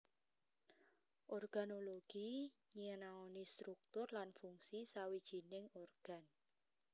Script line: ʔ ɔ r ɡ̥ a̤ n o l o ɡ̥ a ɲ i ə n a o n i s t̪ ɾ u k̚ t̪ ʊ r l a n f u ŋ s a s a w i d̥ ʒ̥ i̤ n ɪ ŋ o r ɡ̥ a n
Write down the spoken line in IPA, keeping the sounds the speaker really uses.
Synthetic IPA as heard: ʔ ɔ r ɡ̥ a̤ n o l o ɡ̥ i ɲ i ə n a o n i s t̪ ɾ u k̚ t̪ ʊ r l a n f u ŋ s i s a w i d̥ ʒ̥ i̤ n ɪ ŋ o r ɡ̥ a n